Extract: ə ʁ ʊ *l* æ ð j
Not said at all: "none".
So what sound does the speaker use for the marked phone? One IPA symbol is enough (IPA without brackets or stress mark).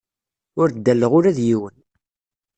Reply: ɾ